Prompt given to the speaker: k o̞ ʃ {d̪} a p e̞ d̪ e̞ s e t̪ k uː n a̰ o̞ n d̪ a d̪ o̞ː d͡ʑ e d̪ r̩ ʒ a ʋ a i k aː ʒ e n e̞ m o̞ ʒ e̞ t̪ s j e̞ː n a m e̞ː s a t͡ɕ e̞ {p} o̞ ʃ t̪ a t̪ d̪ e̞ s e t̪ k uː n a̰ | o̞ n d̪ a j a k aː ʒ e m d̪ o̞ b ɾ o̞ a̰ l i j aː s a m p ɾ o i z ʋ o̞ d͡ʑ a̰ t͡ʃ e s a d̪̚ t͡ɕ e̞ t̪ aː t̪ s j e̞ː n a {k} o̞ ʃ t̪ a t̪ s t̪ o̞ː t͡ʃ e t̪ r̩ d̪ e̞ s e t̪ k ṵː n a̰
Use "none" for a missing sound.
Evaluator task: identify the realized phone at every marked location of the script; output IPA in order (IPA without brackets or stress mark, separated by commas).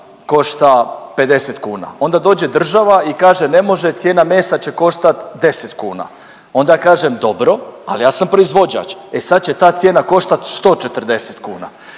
t̪, k, k